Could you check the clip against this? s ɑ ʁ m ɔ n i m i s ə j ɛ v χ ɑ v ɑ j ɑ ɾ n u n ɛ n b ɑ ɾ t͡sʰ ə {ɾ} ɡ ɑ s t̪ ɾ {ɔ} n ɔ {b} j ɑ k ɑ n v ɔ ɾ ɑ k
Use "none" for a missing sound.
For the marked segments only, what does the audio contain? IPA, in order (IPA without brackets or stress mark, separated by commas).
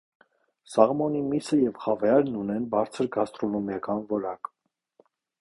ɾ, ɔ, m